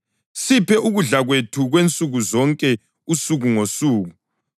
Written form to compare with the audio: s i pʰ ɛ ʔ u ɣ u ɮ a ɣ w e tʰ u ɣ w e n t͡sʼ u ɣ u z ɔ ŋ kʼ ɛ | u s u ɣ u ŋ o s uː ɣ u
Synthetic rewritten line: s i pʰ ɛ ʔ u ɣ u ɮ a ɣ w e tʰ u ɣ w e n t͡sʼ u ɣ u z ɔ ŋ kʼ ɛ | u s u ɣ u ŋ o s uː ɣ u